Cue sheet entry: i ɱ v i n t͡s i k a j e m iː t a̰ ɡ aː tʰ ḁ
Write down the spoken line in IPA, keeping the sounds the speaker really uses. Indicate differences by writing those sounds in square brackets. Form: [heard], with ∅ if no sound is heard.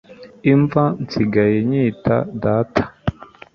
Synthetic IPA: i ɱ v [a] n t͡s i [ɡ] a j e [ɲ] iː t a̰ [d] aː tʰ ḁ